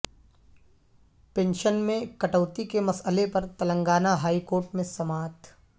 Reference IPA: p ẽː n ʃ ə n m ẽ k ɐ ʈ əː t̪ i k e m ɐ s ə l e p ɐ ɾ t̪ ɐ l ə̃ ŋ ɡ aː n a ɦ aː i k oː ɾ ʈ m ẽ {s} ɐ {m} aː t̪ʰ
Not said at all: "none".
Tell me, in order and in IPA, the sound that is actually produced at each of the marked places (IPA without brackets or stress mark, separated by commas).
s, m